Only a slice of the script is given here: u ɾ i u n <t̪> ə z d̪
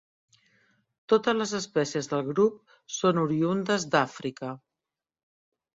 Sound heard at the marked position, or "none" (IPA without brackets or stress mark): d̪